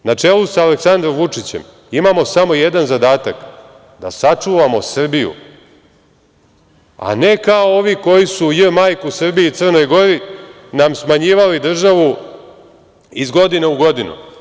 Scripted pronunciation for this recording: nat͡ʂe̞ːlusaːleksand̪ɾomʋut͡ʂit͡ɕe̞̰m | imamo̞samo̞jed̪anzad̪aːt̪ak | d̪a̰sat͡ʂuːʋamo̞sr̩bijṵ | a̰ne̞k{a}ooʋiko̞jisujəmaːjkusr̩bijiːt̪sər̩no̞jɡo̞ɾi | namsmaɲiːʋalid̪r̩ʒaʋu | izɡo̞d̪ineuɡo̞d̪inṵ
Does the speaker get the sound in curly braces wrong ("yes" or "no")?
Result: no